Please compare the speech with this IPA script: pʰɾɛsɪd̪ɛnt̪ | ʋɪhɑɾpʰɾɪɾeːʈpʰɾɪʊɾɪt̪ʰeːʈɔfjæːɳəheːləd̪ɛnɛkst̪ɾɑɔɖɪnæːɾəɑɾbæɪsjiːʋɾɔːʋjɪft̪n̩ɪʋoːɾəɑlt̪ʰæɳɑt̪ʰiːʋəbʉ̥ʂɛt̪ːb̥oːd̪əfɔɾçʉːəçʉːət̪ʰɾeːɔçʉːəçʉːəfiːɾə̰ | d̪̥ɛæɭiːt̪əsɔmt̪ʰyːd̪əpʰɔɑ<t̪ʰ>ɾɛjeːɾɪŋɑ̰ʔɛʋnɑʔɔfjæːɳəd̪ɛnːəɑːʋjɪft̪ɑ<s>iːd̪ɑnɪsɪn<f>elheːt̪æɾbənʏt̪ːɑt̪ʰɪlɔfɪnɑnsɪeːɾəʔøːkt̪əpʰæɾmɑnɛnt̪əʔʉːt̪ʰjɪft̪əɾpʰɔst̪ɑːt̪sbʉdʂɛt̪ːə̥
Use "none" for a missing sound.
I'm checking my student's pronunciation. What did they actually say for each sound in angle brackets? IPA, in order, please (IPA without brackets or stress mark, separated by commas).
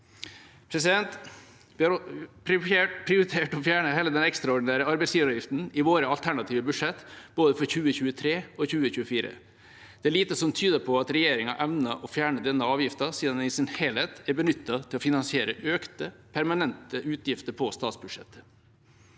t̪, s, h